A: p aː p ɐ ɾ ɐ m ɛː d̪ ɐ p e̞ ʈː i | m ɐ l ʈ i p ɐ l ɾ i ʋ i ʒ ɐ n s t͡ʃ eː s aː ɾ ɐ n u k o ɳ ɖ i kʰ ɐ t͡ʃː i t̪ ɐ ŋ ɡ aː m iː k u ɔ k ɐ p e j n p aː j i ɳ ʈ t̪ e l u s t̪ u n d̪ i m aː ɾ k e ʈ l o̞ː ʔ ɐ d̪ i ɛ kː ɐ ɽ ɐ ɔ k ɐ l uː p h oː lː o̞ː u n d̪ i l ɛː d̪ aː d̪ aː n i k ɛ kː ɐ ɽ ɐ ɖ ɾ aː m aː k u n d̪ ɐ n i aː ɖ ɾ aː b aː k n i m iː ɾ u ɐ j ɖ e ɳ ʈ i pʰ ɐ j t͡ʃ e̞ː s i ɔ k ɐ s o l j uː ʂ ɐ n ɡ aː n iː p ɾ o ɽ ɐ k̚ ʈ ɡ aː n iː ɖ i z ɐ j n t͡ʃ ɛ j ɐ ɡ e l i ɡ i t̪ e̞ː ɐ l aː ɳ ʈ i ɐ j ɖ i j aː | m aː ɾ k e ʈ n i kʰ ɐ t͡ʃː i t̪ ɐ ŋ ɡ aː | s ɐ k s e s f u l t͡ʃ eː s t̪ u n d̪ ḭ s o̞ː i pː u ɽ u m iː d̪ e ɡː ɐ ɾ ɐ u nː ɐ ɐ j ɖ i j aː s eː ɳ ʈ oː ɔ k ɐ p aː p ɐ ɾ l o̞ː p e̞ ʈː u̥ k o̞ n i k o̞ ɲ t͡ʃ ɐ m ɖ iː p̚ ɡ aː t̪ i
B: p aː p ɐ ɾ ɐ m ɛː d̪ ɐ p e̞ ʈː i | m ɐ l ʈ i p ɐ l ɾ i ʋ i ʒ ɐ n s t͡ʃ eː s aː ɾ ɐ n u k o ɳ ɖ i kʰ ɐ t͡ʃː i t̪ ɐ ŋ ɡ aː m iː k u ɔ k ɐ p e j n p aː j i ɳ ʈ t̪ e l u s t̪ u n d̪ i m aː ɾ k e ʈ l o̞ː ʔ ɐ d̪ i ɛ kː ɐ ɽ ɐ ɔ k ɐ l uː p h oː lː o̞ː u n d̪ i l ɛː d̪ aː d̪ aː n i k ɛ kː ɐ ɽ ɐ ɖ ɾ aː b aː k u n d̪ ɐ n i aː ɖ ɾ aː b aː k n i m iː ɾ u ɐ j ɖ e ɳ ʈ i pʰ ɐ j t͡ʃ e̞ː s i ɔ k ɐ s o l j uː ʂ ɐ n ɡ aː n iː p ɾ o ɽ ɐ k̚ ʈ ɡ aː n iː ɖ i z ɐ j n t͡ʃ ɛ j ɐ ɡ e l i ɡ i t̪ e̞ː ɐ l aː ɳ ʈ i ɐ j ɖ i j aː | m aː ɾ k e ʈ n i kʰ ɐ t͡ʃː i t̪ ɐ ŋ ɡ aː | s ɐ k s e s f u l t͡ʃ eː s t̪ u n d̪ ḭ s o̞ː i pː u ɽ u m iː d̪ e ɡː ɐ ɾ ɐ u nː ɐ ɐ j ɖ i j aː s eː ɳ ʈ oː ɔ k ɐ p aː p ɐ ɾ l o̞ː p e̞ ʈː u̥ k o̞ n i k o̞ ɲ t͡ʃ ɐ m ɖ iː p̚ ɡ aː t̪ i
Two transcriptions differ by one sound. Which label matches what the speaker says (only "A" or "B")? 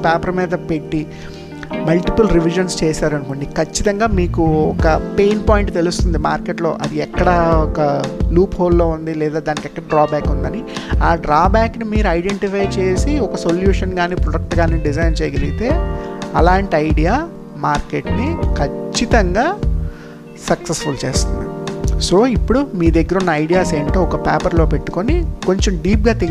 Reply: B